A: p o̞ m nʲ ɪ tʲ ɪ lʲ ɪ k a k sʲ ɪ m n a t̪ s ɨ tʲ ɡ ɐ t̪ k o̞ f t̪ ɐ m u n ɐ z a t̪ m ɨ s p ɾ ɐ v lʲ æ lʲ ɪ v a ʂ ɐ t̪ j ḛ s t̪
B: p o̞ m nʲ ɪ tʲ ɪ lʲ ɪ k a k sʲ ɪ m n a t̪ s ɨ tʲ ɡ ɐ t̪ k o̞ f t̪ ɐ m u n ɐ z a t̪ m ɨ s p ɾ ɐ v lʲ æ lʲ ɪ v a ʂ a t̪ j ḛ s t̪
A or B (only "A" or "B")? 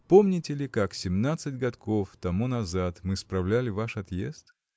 A